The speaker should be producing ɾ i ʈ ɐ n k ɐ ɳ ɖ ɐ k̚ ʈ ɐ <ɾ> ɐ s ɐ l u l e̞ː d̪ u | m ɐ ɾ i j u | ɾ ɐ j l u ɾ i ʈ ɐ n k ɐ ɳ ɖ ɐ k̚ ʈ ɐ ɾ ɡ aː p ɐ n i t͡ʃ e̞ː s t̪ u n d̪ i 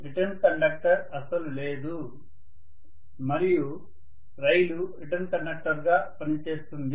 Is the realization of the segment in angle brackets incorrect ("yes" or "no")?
no